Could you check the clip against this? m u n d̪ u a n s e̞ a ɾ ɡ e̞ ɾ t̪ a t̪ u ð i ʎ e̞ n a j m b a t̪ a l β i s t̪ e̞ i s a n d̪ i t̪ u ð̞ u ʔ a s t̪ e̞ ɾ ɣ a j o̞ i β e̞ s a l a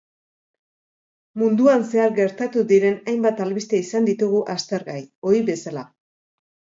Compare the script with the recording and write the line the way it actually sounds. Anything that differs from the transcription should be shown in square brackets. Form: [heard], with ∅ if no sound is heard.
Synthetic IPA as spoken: m u n d̪ u a n s e̞ a ɾ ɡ e̞ ɾ t̪ a t̪ u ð i [ɾ] e̞ n a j m b a t̪ a l β i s t̪ e̞ i s a n d̪ i t̪ u [ɣ̞] u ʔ a s t̪ e̞ ɾ ɣ a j o̞ i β e̞ s a l a